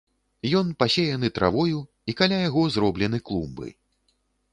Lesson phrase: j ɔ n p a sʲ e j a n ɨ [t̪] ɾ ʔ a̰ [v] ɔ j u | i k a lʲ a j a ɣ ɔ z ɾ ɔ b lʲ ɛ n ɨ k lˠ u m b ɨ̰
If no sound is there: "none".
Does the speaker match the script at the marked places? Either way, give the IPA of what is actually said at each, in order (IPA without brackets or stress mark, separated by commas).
t̪, v